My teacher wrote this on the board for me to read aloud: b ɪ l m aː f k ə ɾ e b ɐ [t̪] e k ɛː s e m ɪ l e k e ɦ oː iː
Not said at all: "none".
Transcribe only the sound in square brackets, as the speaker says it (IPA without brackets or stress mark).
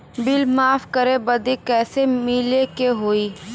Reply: d̪